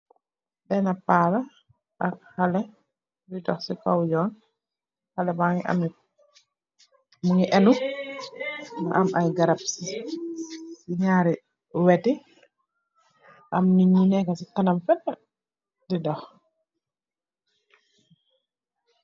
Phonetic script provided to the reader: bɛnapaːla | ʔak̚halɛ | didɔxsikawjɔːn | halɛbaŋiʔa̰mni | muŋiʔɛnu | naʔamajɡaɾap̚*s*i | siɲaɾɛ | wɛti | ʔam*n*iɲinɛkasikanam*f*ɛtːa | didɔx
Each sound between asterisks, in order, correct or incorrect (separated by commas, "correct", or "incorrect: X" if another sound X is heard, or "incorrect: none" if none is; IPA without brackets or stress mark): correct, correct, correct